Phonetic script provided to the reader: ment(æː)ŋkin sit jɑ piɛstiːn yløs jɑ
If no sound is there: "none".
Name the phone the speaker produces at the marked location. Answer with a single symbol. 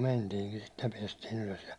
iː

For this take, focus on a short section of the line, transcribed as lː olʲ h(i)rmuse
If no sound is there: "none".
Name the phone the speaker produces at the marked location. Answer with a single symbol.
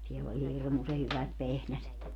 i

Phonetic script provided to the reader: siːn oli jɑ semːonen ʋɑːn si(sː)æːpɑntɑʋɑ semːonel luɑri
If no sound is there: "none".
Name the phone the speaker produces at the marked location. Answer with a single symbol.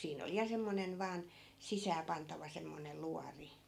s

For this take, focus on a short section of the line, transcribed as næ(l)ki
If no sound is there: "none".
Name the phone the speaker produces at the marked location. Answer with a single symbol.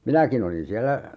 none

